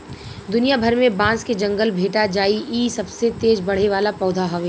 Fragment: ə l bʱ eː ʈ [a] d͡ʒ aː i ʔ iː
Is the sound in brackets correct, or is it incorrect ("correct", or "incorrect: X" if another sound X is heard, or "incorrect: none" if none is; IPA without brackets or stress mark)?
correct